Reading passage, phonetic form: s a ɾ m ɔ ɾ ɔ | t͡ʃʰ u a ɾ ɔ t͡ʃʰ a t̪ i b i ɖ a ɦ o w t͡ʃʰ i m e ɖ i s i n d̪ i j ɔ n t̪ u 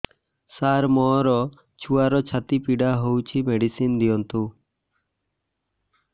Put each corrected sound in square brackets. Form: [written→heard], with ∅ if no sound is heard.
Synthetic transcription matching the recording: s a ɾ m ɔ ɾ ɔ | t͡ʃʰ u a ɾ ɔ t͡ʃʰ a t̪ i [b→p] i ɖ a ɦ o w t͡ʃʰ i m e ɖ i s i n d̪ i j ɔ n t̪ u